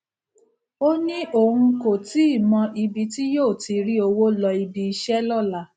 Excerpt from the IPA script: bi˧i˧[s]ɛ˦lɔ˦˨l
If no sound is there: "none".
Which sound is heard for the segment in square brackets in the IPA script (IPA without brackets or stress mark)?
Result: ʃ